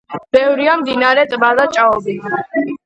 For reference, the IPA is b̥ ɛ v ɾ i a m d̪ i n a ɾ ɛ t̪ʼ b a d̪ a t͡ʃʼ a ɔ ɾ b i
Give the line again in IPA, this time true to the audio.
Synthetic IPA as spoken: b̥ ɛ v ɾ i a m d̪ i n a ɾ ɛ t̪ʼ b a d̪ a t͡ʃʼ a ɔ b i